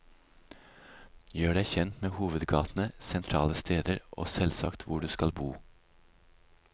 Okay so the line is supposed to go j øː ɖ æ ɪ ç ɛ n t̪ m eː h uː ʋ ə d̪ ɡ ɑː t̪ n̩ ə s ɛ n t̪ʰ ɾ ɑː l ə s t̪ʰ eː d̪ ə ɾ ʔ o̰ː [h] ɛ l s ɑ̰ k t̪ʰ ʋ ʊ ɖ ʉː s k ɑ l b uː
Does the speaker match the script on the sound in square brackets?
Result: no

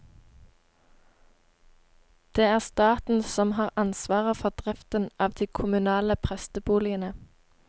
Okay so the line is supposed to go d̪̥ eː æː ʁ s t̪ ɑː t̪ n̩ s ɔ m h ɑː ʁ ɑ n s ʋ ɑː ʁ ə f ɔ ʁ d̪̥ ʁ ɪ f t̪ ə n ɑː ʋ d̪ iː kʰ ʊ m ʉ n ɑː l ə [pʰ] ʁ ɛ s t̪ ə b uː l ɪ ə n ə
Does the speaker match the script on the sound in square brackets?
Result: yes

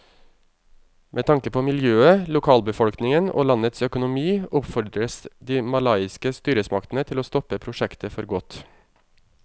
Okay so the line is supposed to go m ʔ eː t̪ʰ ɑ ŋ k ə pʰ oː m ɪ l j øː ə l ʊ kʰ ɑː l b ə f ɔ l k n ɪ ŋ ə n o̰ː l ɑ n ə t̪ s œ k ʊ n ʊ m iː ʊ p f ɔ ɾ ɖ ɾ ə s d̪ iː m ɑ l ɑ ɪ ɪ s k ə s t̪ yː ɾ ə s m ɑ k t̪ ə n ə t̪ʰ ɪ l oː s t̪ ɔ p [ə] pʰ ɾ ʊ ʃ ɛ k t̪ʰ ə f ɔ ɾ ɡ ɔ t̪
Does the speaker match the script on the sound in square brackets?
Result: yes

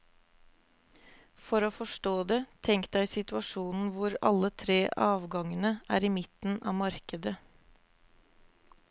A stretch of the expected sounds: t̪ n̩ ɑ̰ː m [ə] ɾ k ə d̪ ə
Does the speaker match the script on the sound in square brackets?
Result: no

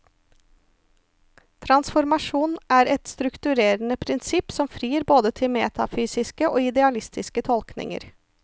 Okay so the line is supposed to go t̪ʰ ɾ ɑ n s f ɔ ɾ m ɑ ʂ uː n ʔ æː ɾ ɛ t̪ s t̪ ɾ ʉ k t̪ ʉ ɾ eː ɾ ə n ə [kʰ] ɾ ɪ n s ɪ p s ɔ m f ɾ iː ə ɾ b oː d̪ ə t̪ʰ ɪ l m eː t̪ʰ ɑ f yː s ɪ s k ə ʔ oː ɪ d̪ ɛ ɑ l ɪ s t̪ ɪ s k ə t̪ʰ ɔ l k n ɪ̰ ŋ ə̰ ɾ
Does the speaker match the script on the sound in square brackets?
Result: no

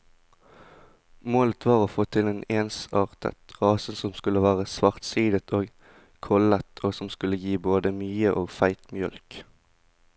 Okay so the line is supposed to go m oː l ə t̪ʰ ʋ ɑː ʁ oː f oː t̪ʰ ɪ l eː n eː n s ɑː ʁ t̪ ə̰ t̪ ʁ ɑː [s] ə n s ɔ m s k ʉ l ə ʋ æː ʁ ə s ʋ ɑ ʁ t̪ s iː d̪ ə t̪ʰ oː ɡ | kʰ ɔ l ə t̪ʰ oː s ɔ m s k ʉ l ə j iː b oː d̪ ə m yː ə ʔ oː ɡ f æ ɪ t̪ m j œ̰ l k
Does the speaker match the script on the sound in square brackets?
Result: yes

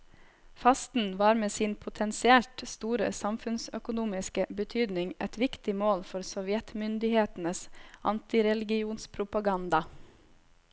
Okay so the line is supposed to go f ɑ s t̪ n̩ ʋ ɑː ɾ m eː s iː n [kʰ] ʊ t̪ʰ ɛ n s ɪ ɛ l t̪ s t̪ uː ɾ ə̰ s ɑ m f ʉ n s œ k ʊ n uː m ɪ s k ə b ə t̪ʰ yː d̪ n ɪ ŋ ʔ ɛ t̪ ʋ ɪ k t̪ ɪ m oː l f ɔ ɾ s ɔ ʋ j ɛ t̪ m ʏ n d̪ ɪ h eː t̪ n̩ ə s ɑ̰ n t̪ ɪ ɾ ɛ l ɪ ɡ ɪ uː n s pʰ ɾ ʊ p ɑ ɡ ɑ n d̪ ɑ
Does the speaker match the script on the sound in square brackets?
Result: no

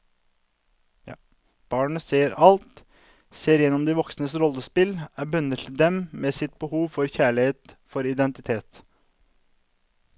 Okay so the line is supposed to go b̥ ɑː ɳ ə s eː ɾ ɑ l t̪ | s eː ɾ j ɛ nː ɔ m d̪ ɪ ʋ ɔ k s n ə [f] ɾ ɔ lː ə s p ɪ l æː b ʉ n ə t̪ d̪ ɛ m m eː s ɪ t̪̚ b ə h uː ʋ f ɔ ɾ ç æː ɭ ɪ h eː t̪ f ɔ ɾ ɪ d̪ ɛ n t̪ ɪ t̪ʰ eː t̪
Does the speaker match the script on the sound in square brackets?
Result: no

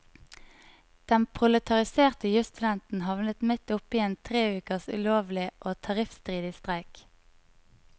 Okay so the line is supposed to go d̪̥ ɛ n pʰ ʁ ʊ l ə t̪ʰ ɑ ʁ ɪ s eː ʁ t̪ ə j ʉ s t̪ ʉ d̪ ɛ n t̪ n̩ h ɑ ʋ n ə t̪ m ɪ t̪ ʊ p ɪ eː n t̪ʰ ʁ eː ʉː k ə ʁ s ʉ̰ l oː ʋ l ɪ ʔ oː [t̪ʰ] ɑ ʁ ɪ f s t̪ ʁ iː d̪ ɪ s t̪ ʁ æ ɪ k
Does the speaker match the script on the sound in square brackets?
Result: yes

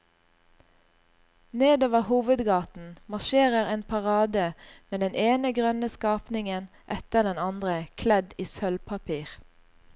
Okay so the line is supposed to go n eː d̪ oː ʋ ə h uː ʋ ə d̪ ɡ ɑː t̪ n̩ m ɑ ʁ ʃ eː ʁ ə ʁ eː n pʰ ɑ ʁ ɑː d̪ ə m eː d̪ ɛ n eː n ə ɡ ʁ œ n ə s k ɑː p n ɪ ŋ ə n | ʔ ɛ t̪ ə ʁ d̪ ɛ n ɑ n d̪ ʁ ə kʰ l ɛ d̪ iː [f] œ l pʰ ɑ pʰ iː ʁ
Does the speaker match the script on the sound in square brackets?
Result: no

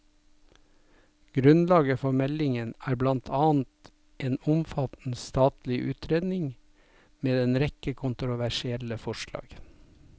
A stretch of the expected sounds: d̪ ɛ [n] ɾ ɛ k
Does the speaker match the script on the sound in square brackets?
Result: yes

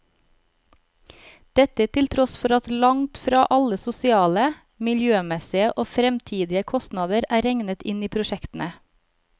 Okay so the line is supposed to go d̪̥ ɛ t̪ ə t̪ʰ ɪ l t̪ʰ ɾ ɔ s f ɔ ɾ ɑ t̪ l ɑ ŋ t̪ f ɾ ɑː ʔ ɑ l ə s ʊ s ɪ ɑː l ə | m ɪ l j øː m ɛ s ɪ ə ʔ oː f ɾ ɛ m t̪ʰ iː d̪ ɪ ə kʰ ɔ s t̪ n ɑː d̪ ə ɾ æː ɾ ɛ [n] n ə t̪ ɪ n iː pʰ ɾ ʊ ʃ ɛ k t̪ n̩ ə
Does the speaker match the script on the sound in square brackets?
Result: no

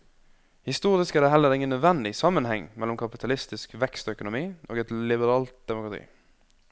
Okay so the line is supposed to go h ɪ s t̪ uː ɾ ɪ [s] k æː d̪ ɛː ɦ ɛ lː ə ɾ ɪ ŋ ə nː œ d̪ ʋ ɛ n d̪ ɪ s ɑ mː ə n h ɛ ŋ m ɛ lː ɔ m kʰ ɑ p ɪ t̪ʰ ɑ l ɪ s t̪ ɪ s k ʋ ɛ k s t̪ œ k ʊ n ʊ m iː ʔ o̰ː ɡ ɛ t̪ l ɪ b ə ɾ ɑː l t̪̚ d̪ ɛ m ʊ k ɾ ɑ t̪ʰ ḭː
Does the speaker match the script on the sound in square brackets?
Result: yes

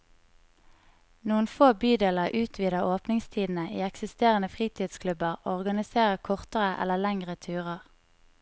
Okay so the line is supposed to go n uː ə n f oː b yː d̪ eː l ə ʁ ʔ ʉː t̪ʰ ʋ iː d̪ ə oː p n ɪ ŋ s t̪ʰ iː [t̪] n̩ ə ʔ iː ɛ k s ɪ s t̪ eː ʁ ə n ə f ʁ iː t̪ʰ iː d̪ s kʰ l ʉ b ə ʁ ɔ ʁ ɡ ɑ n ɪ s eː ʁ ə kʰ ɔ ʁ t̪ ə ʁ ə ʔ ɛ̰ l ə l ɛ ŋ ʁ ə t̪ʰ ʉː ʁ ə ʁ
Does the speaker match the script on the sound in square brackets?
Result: no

